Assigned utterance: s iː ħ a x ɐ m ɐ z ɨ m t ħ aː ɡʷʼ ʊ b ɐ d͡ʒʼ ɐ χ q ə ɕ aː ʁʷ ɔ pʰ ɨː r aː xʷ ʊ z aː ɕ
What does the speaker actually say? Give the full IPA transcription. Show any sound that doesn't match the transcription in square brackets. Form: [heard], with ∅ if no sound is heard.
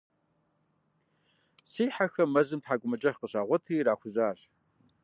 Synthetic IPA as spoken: s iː ħ a x ɐ m ɐ z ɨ m t ħ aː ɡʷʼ ʊ [m] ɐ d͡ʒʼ ɐ χ q ə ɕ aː ʁʷ ɔ [tʰ] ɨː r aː xʷ ʊ z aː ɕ